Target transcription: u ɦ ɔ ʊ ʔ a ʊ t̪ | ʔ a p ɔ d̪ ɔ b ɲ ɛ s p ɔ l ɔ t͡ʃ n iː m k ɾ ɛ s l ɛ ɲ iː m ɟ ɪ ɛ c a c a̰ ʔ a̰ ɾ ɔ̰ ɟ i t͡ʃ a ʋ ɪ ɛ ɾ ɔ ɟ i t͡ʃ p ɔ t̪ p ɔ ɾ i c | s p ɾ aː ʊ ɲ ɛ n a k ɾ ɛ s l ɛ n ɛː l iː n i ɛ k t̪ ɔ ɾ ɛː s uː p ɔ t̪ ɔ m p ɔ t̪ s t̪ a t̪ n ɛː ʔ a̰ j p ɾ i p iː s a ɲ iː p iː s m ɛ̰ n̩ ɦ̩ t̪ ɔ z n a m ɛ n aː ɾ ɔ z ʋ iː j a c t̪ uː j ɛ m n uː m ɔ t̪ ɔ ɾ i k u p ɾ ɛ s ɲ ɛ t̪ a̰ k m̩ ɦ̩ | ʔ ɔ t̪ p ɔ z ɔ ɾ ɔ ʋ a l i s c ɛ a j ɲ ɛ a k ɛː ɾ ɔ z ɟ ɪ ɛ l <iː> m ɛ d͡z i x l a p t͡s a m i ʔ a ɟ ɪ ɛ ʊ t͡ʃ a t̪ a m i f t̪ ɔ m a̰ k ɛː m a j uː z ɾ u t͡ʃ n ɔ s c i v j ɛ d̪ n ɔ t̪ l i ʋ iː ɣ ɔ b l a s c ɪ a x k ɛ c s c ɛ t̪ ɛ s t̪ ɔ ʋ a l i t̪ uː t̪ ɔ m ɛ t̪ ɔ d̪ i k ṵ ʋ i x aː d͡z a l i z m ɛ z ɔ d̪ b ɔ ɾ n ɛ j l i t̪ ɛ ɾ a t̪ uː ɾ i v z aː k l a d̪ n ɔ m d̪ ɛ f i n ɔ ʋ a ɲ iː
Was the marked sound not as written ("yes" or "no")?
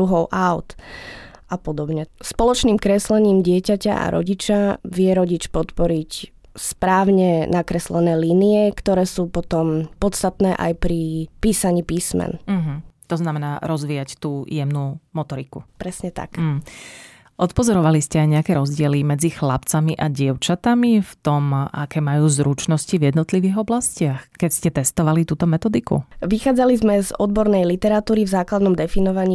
yes